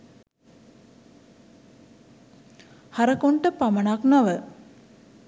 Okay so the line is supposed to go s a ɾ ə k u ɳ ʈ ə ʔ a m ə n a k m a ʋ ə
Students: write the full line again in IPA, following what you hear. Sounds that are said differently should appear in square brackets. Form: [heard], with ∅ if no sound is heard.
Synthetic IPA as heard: [h] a ɾ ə k [o] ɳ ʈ ə [p] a m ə n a k [n] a ʋ ə

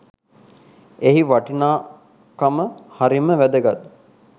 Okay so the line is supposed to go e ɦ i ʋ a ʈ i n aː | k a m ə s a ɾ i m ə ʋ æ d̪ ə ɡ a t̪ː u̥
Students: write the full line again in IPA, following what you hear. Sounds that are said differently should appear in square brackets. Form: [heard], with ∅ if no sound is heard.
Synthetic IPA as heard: e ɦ i ʋ a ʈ i n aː | k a m ə [h] a ɾ i m ə ʋ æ d̪ ə ɡ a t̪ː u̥

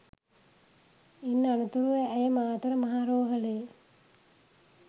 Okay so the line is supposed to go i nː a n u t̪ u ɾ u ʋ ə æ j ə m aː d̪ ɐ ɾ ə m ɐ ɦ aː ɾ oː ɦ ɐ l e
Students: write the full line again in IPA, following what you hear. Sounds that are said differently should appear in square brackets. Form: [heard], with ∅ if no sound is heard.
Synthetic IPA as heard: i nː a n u t̪ u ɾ u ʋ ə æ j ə m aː [t̪] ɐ ɾ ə m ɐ ɦ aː ɾ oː ɦ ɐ l e

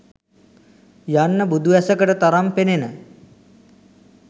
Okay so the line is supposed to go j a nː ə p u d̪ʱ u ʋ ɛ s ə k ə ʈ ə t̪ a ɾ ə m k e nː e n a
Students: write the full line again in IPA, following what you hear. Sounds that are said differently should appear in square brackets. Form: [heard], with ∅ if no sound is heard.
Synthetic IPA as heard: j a nː ə [b] u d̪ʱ u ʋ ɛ s ə k ə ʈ ə t̪ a ɾ [a] m [p] e [n] e n [ə]

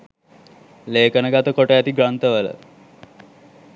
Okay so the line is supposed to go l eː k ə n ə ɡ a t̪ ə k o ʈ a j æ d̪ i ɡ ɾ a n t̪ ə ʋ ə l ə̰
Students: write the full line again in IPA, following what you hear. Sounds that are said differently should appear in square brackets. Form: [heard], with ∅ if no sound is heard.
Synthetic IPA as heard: l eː k ə n ə ɡ a t̪ ə k o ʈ [ə] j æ [t̪] i ɡ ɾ a n t̪ ə ʋ ə l ə̰

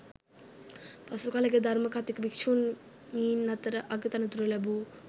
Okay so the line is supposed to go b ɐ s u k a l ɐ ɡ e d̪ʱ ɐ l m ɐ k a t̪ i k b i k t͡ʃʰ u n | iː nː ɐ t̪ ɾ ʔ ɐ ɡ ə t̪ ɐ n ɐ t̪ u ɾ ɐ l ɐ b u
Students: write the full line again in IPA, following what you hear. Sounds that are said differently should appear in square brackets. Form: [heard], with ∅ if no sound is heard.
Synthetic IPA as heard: [p] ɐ s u k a l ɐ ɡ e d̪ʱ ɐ [ɾ] m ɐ k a t̪ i k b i k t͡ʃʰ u n | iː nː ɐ t̪ ɾ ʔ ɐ ɡ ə t̪ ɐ n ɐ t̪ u ɾ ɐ l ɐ b u

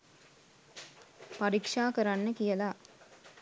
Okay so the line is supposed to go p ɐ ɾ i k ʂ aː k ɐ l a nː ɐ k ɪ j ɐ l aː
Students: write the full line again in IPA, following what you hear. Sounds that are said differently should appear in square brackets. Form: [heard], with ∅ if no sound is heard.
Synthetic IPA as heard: p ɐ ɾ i k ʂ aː k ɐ [ɾ] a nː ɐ k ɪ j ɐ l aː

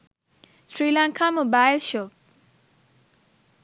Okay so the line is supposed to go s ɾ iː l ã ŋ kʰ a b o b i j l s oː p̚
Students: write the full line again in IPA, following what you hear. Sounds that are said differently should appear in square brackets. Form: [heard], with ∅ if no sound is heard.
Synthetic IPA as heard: s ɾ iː l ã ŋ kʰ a [m] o b [a] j l [ʃ] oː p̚

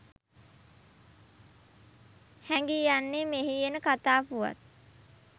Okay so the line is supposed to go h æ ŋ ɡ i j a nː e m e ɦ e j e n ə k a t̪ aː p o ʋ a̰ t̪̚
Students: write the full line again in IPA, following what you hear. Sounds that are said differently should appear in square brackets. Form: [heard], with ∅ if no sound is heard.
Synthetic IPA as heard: h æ ŋ ɡ i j a nː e m e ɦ [i] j e n ə k a t̪ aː p [u] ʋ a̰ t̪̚

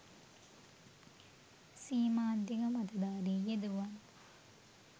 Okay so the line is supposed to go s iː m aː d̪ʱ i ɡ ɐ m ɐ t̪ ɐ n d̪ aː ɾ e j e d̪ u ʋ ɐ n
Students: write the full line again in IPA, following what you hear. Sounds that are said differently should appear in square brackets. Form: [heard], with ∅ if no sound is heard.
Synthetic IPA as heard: s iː m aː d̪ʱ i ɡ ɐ m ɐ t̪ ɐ [∅] d̪ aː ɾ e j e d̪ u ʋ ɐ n

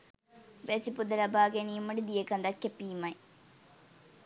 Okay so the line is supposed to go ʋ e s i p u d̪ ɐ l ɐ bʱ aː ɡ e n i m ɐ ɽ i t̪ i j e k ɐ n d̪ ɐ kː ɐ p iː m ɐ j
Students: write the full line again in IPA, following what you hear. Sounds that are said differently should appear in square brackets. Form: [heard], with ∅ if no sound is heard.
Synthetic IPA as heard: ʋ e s i p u d̪ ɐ l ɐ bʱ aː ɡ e n i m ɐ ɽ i [d̪] i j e k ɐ n d̪ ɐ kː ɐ p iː m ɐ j

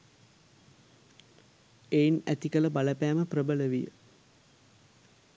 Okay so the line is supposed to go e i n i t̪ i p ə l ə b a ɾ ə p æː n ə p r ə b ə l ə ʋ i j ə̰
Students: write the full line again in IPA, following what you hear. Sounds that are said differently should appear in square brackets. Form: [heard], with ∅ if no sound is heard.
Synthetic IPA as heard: e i n [æ] t̪ i [k] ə l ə b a [l] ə p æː [m] ə p r ə b ə l ə ʋ i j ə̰

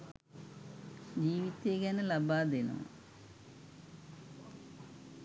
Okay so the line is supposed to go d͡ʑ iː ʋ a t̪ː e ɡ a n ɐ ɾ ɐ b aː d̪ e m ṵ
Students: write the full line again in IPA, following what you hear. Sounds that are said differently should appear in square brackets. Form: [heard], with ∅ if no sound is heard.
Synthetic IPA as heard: d͡ʑ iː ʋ [i] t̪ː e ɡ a n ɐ [l] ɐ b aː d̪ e [n] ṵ

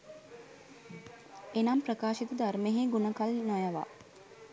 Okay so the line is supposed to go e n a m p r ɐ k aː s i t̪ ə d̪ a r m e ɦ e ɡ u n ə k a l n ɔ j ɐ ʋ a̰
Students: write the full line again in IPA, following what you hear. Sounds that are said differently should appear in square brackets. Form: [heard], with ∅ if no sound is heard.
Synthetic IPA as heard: e n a m p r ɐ k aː [ʃ] i t̪ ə d̪ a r m e ɦ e ɡ u n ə k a l n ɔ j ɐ ʋ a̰

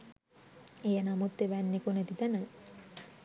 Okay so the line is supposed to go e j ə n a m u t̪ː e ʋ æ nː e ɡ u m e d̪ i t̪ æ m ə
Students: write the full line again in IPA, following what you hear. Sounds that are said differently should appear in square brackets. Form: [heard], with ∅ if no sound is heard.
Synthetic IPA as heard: e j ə n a m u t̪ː e ʋ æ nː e [k] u [n] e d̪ i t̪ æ [n] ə

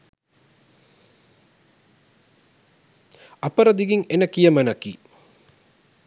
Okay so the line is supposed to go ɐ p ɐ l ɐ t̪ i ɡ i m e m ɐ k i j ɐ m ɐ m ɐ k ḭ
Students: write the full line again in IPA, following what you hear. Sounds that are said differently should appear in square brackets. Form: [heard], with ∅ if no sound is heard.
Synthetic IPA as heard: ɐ p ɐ [ɾ] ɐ [d̪] i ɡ i [ŋ] e [n] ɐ k i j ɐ m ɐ [n] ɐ k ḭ

